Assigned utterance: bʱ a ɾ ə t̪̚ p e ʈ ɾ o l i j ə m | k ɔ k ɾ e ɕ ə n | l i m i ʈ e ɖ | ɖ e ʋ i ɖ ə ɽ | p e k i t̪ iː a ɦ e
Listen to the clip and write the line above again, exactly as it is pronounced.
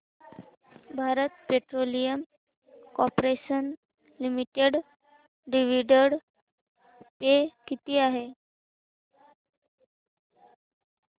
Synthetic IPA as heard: bʱ a ɾ ə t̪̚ p e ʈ ɾ o l i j ə m | k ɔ p ɾ e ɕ ə n | l i m i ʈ e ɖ | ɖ i ʋ i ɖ ə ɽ | p e k i t̪ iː a ɦ e